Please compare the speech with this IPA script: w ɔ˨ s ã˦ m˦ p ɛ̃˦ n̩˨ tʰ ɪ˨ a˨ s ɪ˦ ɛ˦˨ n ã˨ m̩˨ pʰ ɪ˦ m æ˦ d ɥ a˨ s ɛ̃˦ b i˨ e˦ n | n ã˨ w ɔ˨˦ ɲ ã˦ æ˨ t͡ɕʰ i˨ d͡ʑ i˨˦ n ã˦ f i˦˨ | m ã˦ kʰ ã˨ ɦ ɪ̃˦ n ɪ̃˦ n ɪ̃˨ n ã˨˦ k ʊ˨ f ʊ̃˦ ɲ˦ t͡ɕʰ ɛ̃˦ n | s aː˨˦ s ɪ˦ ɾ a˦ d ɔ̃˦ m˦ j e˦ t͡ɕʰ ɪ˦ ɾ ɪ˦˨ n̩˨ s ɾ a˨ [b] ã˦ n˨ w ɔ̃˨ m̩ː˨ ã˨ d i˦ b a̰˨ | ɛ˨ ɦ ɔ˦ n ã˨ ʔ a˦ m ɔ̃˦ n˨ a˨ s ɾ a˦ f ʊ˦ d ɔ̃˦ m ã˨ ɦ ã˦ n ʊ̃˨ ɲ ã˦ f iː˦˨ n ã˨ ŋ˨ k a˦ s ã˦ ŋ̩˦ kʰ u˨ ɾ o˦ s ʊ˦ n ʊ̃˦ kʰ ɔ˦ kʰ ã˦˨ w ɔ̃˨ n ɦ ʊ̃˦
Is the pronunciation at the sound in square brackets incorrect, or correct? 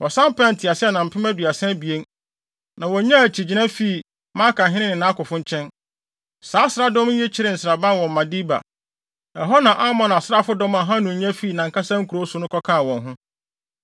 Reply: correct